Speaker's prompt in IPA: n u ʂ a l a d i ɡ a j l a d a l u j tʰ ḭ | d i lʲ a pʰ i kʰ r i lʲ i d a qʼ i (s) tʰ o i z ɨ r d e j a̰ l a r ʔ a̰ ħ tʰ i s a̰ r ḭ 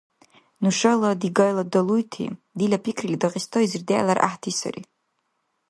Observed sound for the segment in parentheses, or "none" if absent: s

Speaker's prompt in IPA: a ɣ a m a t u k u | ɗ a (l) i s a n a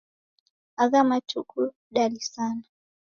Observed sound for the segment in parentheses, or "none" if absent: l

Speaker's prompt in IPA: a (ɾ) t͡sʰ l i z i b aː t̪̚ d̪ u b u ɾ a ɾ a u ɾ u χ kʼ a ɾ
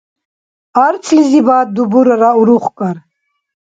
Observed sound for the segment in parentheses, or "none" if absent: ɾ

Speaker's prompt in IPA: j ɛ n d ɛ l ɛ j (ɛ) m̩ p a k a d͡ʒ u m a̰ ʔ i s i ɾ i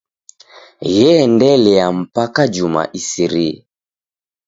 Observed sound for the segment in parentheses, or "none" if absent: a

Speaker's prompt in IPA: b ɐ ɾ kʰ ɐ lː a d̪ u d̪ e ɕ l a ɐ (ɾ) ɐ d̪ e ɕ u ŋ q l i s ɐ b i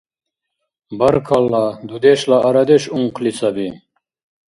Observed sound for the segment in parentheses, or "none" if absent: ɾ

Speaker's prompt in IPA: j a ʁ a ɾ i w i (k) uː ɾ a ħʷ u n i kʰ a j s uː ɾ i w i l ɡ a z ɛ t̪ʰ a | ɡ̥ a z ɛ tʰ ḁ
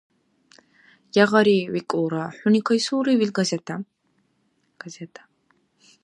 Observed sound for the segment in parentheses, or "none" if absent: kʼ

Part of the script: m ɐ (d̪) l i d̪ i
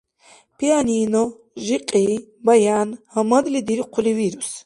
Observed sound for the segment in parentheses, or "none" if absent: d̪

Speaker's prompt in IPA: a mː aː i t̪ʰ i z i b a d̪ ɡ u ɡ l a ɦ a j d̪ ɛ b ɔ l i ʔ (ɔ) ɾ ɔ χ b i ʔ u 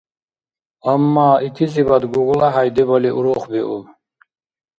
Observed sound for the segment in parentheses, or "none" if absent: u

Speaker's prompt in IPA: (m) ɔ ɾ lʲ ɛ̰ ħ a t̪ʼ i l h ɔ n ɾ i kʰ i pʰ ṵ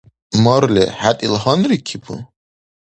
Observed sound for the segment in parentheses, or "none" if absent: m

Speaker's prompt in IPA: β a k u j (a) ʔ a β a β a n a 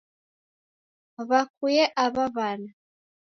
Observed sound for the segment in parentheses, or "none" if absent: ɛ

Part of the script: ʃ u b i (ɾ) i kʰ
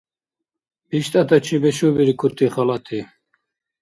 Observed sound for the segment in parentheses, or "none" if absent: ɾ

